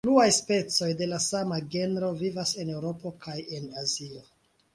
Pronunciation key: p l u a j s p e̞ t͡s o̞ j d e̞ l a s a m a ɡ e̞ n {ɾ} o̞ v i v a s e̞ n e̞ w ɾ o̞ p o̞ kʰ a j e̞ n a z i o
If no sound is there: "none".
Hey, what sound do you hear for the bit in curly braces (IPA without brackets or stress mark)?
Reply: ɾ